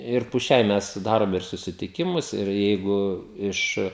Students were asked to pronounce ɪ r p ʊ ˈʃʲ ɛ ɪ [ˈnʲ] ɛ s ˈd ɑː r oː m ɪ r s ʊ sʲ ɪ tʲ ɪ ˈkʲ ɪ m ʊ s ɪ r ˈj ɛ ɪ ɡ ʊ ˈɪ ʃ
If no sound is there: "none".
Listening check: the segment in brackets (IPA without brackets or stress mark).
mʲ